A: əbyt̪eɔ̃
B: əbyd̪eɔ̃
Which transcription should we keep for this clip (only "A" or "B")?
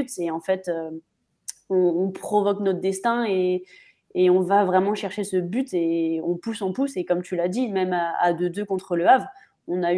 A